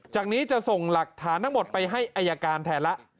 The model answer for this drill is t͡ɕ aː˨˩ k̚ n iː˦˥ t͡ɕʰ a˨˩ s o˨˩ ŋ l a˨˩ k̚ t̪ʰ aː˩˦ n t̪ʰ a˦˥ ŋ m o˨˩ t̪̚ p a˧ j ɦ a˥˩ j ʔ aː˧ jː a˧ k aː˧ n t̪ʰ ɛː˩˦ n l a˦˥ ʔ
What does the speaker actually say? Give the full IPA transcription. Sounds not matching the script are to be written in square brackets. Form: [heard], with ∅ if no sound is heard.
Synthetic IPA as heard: t͡ɕ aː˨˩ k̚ n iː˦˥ [t͡ɕ] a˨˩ s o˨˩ ŋ l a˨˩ k̚ t̪ʰ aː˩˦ n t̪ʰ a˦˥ ŋ m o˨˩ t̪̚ p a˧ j ɦ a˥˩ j ʔ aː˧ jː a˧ k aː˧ n t̪ʰ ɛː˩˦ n l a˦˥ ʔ